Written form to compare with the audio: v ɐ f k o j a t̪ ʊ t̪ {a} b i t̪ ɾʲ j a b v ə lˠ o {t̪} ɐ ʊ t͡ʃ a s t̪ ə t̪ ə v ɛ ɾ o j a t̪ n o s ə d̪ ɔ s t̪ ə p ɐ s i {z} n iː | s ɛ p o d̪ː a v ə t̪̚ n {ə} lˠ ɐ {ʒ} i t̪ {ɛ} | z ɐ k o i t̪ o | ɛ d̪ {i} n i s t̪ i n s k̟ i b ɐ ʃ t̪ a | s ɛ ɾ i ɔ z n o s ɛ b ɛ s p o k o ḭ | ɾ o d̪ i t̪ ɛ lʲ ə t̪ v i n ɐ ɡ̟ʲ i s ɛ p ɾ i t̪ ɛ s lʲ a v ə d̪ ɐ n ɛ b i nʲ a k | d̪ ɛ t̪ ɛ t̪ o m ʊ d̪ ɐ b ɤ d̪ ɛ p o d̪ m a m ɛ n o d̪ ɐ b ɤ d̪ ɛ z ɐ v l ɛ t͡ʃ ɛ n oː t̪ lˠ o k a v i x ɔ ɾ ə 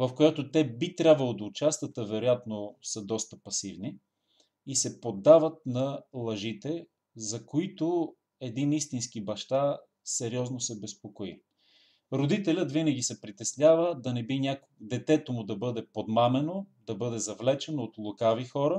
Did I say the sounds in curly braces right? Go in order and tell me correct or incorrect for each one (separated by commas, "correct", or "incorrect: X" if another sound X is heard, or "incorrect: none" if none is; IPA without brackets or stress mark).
incorrect: ɛ, incorrect: d̪, incorrect: v, incorrect: ɐ, correct, correct, correct